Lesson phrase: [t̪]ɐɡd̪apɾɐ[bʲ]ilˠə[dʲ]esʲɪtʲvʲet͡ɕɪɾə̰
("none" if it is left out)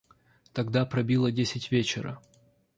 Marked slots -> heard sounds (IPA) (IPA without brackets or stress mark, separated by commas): t̪, bʲ, dʲ